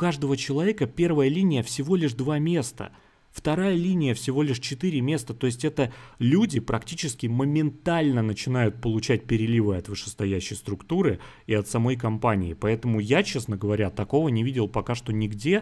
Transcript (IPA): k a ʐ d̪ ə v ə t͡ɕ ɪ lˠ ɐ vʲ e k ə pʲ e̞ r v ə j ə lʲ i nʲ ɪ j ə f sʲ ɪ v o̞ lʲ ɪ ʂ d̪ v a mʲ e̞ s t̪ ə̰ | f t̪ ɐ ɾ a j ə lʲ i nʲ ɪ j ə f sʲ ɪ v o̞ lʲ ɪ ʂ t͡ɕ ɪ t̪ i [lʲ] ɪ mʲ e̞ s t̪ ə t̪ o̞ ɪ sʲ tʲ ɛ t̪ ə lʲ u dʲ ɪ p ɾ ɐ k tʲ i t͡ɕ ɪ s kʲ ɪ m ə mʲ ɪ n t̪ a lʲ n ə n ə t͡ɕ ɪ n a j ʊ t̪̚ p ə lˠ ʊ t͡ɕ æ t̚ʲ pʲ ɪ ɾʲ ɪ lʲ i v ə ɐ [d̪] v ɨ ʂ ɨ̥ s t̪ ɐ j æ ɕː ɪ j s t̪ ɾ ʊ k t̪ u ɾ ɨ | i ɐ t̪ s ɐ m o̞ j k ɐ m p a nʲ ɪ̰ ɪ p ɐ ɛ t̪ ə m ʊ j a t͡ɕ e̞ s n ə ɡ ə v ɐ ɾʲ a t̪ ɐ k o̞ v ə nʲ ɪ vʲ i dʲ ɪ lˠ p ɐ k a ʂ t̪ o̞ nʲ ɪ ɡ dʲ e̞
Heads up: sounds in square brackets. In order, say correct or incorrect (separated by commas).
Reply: incorrect, incorrect